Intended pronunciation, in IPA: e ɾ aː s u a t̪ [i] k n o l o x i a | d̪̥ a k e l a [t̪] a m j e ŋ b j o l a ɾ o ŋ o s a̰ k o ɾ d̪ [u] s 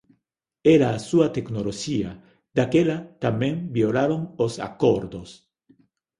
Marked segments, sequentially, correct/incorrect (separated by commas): incorrect, correct, incorrect